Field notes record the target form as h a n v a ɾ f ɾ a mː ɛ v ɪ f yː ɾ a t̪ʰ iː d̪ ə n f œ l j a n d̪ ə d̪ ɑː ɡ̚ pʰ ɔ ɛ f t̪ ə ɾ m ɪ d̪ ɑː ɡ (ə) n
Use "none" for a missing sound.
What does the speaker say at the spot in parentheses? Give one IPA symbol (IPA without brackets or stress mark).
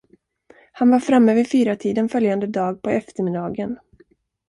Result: ə